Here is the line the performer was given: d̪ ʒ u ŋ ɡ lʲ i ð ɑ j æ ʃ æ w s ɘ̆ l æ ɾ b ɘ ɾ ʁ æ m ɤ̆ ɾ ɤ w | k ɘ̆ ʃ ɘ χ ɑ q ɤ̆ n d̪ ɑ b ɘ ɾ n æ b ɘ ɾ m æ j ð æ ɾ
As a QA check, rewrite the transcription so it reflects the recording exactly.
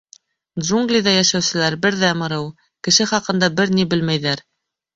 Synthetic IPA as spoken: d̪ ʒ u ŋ ɡ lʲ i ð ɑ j æ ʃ æ w s ɘ̆ l æ ɾ b ɘ ɾ ð æ m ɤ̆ ɾ ɤ w | k ɘ̆ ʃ ɘ χ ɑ q ɤ̆ n d̪ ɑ b ɘ ɾ n i b ɘ l m æ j ð æ ɾ